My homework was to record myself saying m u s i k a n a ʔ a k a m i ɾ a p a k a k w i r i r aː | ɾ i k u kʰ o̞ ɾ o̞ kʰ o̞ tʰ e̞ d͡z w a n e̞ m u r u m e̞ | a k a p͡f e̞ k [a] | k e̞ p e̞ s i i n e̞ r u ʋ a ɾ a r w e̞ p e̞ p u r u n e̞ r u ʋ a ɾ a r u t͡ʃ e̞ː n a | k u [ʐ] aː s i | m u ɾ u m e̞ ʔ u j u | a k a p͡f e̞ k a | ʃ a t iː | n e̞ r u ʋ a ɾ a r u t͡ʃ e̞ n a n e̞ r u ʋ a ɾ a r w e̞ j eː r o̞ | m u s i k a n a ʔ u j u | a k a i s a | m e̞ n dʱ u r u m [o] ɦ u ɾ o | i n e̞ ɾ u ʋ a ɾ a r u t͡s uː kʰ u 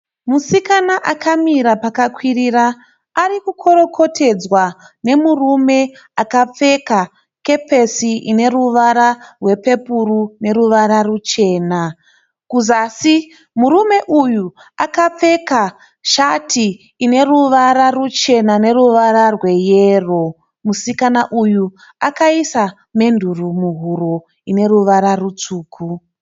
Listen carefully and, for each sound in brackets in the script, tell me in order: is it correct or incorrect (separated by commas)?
correct, incorrect, incorrect